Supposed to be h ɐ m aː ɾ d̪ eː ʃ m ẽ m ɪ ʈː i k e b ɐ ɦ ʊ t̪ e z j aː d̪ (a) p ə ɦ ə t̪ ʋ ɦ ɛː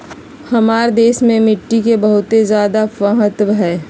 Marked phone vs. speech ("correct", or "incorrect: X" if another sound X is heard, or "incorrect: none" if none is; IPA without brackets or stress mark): correct